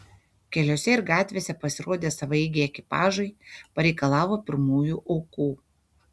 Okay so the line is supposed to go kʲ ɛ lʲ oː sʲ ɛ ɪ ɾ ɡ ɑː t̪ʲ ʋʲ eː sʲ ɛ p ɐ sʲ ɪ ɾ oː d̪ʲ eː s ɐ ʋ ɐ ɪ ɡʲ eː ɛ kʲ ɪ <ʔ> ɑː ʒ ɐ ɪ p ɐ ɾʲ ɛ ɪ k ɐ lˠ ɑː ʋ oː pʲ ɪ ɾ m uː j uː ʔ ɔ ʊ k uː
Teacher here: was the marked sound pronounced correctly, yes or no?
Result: no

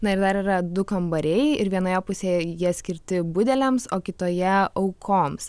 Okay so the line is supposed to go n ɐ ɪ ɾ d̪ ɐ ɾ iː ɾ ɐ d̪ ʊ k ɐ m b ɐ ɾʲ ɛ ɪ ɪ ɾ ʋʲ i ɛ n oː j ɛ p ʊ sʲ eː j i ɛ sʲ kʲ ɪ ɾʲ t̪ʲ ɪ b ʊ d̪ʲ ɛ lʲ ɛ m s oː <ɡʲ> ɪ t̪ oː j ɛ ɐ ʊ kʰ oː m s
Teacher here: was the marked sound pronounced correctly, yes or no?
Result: no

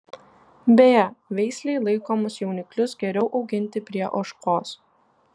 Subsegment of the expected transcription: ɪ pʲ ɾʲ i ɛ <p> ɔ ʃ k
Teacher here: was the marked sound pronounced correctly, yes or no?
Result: no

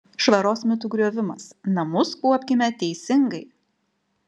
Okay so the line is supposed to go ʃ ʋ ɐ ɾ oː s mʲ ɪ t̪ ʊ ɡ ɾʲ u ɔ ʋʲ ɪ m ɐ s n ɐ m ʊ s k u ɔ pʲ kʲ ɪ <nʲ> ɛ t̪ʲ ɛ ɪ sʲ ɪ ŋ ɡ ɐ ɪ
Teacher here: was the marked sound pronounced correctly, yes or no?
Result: no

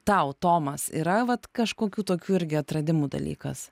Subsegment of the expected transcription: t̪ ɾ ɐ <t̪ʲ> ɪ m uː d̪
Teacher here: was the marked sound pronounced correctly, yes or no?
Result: no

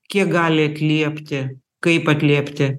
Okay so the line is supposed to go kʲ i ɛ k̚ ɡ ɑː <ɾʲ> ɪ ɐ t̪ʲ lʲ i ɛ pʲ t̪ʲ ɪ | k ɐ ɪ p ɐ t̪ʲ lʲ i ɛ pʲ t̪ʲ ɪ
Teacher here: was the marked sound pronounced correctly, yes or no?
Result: no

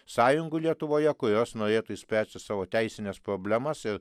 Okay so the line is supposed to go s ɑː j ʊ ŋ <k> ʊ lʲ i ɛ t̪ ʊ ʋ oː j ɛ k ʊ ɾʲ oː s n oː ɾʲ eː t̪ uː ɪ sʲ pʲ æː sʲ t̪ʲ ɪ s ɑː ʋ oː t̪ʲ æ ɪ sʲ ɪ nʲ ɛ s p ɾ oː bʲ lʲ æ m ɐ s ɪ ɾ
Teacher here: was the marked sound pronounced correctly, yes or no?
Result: no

